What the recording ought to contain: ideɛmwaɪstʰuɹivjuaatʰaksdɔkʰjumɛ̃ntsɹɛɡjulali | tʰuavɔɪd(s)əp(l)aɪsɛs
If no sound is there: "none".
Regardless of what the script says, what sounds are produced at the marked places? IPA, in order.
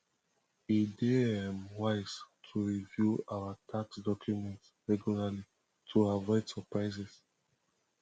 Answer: s, ɹ

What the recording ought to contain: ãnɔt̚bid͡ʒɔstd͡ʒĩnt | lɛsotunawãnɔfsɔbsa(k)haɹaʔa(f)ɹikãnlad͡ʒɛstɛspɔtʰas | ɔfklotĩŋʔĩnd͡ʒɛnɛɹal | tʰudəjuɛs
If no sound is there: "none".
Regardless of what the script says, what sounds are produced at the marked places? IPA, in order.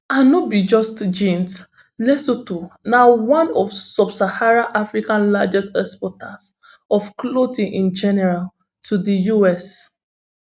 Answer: none, f

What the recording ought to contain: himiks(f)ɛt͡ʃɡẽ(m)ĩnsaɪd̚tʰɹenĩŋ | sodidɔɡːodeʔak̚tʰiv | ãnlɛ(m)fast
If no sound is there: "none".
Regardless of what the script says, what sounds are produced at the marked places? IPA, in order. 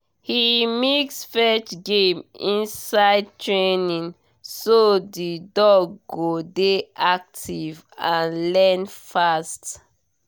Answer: f, m, n

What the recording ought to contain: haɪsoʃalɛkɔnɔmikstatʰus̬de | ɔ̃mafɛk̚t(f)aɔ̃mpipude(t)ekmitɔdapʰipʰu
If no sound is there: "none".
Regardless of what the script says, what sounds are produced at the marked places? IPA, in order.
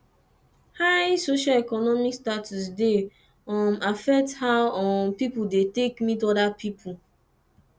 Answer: h, t

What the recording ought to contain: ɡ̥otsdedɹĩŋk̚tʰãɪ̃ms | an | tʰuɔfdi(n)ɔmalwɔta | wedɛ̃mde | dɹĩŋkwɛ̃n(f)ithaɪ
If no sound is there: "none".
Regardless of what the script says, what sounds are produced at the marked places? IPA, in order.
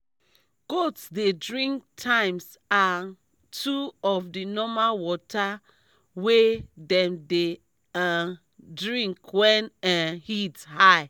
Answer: n, h

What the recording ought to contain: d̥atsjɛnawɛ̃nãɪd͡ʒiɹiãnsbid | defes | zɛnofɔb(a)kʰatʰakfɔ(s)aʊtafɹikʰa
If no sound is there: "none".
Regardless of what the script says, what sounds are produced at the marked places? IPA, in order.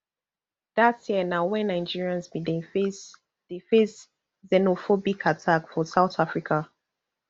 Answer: i, s

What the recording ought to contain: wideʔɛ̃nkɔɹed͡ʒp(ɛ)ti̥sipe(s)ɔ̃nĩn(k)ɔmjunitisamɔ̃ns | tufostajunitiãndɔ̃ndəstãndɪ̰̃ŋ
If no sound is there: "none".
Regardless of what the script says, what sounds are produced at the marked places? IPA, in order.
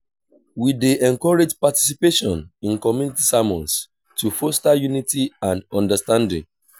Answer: a, ʃ, k

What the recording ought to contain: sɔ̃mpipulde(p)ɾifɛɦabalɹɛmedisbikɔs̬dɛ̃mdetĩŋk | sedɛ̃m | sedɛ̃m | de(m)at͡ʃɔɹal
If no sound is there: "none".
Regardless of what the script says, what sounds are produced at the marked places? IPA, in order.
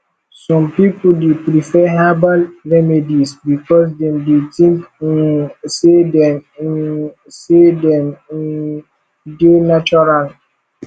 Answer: p, n

